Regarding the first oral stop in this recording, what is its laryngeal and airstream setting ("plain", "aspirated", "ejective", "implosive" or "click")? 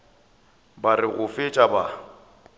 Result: plain